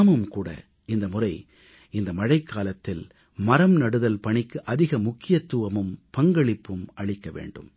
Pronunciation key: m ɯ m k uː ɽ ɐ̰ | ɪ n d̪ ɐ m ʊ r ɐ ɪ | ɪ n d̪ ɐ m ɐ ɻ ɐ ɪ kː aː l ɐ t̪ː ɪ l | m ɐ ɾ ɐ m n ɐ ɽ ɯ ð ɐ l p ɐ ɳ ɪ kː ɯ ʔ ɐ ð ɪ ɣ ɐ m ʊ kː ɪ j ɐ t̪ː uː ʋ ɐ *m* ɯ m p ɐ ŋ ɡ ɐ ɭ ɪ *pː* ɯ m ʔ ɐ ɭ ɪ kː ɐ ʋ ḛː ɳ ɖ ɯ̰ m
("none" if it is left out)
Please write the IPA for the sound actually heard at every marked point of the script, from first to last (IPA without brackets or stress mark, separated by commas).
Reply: m, pː